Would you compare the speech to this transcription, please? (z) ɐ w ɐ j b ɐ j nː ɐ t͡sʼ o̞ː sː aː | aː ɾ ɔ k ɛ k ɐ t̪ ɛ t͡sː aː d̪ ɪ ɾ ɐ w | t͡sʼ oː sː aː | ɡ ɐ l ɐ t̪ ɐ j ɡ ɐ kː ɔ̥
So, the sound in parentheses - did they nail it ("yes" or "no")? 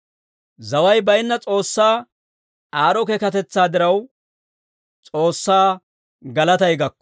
yes